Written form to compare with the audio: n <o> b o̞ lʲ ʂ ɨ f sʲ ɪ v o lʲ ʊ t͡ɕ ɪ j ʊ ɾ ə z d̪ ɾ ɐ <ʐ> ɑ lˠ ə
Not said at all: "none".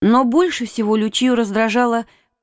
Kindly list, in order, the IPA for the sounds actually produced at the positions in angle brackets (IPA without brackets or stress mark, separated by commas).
o, ʐ